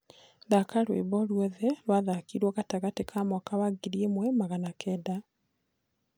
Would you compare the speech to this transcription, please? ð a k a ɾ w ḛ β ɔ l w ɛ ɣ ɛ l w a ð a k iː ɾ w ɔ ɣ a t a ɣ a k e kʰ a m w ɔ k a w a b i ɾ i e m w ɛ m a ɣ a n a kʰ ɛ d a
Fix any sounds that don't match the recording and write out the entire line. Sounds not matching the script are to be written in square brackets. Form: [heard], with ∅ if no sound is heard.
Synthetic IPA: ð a k a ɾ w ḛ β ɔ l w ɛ [ð] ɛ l w a ð a k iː ɾ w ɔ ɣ a t a ɣ a [t] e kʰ a m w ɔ k a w a [ɡ] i ɾ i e m w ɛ m a ɣ a n a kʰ ɛ d a